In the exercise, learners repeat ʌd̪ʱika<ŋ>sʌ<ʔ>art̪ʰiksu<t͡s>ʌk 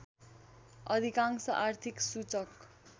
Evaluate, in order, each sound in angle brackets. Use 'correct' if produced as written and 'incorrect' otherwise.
correct, correct, correct

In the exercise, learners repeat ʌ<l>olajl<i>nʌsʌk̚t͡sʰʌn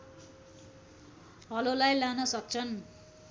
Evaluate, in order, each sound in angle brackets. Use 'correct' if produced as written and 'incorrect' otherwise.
correct, incorrect

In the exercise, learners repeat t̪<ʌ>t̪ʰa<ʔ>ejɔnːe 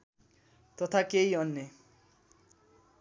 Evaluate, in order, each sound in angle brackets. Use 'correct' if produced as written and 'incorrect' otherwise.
incorrect, incorrect

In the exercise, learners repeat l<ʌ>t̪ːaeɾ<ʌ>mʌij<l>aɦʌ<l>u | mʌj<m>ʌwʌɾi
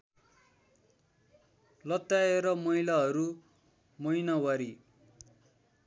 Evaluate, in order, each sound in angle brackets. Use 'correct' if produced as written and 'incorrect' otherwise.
correct, correct, correct, incorrect, incorrect

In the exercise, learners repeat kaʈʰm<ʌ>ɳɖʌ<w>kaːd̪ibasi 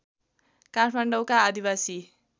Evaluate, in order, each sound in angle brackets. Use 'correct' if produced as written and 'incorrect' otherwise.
incorrect, correct

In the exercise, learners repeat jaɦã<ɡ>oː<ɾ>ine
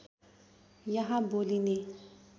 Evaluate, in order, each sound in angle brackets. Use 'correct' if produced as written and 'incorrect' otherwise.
incorrect, incorrect

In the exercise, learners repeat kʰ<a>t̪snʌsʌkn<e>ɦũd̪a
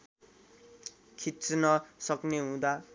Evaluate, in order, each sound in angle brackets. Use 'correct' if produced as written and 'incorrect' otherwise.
incorrect, correct

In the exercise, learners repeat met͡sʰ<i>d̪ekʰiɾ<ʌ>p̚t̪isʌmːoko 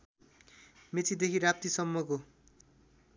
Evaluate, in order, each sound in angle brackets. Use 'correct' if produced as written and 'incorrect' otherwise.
correct, incorrect

